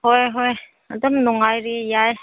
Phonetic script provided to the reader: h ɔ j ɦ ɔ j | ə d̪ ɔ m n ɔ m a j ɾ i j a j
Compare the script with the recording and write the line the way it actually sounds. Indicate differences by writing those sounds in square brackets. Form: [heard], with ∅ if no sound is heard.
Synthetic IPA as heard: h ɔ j ɦ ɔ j | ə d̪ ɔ m n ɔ [ŋ] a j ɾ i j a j